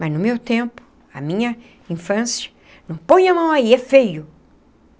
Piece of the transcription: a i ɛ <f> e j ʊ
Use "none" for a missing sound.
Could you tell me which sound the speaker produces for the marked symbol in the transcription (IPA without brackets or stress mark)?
f